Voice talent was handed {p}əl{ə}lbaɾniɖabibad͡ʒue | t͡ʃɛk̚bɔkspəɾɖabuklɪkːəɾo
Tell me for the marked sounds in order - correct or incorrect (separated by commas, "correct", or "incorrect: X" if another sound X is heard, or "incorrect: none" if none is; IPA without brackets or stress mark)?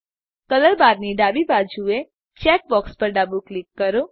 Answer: incorrect: k, correct